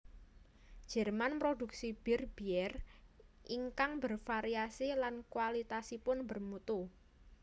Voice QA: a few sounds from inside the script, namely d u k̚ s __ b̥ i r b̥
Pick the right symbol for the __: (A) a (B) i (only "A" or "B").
B